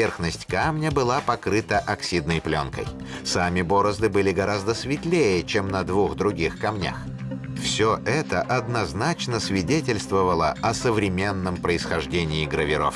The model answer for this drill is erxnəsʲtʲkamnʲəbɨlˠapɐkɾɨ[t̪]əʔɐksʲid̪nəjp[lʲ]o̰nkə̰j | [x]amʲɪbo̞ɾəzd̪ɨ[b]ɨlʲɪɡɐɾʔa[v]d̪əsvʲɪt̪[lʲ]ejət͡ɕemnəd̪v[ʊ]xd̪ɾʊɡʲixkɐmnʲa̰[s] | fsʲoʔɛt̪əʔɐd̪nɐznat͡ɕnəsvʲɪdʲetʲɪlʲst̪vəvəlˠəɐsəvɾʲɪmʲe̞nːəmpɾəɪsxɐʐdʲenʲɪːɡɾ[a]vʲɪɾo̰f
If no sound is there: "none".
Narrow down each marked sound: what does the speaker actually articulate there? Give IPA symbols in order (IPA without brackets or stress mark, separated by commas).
t̪, lʲ, s, b, z, lʲ, u, x, ə